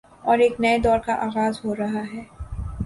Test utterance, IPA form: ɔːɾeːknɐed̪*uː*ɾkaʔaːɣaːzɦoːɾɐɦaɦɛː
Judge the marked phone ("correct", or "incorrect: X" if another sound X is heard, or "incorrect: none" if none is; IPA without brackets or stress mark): incorrect: ɔː